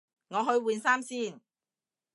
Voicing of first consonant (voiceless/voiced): voiced